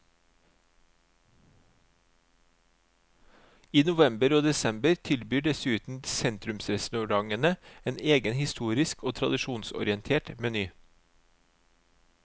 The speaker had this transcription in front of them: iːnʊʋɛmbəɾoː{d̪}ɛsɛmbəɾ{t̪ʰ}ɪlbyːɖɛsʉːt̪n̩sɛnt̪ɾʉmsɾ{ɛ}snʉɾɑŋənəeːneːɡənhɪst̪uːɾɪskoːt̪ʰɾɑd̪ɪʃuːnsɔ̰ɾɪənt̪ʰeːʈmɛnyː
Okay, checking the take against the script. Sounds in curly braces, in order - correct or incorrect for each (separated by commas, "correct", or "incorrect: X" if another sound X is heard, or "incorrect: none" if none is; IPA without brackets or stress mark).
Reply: correct, correct, correct